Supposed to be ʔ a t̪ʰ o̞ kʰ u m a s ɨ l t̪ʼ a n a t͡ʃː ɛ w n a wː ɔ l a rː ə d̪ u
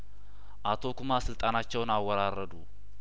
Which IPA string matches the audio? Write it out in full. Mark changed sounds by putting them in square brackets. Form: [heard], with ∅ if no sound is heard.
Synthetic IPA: ʔ a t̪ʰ o̞ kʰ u m a s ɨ l t̪ʼ a n a t͡ʃː ɛ w n a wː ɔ [ɾ] a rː ə d̪ u